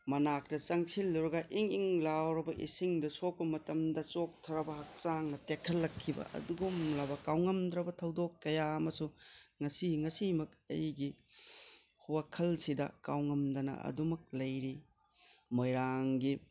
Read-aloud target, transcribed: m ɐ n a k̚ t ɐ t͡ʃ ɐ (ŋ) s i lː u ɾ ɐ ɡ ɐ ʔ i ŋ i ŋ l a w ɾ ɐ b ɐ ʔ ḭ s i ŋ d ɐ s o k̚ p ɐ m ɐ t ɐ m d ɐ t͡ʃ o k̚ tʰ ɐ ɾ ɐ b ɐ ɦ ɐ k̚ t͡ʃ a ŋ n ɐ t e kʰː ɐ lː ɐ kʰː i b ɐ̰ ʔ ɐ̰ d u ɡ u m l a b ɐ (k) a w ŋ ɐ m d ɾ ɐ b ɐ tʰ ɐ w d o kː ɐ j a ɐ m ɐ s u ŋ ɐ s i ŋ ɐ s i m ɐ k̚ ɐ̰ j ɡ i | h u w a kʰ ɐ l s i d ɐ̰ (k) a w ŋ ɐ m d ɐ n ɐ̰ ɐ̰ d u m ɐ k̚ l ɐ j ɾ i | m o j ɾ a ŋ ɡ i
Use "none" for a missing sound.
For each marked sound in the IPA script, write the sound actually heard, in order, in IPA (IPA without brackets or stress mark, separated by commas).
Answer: ŋ, k, k